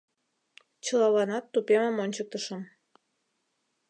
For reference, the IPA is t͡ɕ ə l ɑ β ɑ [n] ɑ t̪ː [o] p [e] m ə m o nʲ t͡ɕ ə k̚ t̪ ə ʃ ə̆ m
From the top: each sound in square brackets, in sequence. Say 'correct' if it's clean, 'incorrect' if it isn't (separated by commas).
correct, incorrect, correct